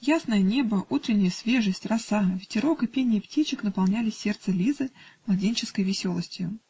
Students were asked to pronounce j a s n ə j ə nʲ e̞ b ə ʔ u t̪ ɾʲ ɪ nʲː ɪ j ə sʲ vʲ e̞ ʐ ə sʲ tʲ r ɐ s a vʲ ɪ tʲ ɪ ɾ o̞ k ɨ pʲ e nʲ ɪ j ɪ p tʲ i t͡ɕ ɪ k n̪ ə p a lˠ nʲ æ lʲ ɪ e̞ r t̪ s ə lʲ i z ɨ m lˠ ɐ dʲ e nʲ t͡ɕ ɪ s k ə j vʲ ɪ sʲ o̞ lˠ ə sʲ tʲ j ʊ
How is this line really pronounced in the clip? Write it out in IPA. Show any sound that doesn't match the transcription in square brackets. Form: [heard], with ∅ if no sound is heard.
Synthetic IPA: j a s n ə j ə nʲ e̞ b ə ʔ u t̪ ɾʲ ɪ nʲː ɪ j ə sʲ vʲ e̞ ʐ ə sʲ tʲ r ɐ s a vʲ ɪ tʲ ɪ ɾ o̞ k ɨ pʲ e nʲ ɪ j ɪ p tʲ i t͡ɕ ɪ k n̪ ə p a lˠ nʲ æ lʲ ɪ e̞ r t̪ s ə lʲ i z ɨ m lˠ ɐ dʲ e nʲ t͡ɕ ɪ s k ə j vʲ ɪ sʲ o̞ lˠ ə sʲ tʲ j ʊ